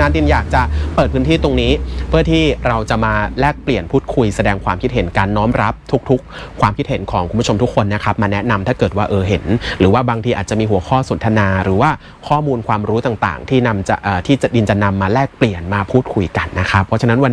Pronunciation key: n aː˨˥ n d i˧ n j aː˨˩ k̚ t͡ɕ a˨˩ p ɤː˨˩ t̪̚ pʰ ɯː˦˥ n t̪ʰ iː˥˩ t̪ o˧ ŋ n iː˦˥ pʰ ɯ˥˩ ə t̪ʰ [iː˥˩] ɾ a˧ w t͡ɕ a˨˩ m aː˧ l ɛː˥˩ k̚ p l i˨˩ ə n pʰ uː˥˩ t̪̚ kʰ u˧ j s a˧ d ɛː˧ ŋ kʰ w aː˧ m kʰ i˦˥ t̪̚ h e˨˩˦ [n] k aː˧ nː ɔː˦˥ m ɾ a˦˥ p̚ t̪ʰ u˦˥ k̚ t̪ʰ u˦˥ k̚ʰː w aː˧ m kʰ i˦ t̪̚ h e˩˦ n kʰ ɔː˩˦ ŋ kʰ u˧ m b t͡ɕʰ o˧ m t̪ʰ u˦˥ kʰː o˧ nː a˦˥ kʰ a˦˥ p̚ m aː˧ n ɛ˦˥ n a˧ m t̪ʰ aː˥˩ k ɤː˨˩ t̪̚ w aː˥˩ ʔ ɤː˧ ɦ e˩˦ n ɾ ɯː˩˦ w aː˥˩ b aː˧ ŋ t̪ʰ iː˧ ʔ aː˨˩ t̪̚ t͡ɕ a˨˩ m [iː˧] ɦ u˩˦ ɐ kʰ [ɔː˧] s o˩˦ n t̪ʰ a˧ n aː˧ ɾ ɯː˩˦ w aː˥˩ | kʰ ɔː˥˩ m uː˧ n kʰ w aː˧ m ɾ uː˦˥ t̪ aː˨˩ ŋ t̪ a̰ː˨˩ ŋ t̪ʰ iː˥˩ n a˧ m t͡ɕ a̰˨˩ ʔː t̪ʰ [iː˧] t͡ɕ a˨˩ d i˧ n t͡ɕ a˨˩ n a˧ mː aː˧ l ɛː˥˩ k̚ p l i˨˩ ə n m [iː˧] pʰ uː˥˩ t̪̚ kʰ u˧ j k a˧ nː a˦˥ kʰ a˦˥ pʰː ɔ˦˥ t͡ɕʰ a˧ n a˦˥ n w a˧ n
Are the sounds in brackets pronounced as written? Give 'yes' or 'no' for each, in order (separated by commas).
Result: yes, yes, yes, no, no, no